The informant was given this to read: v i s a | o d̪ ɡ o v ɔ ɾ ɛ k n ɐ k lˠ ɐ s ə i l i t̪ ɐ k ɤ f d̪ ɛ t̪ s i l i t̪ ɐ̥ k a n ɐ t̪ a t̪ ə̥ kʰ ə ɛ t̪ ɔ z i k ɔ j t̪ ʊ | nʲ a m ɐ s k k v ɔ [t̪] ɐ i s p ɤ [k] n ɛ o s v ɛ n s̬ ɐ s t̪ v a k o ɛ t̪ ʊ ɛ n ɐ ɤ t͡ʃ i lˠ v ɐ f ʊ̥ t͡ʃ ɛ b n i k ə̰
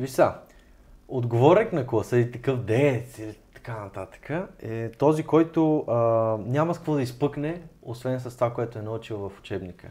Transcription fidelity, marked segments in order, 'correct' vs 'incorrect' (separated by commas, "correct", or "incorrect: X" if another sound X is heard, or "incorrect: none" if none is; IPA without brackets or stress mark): incorrect: d̪, correct